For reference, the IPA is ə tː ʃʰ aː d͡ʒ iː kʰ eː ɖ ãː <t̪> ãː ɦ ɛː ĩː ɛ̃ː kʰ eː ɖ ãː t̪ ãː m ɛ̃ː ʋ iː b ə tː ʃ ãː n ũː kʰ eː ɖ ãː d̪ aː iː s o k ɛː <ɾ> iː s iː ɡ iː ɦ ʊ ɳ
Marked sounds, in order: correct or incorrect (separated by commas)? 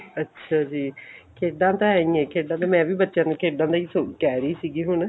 correct, correct